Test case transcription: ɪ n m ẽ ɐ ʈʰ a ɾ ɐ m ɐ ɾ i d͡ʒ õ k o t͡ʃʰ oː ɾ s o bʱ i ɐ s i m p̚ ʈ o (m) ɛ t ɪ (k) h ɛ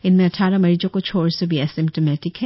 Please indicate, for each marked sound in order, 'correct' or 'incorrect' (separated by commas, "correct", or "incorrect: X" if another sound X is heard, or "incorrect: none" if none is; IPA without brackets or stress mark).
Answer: correct, correct